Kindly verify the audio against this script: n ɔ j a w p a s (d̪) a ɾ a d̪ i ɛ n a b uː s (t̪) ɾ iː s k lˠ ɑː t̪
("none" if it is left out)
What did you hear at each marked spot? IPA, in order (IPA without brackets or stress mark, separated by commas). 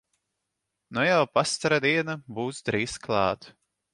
t̪, d̪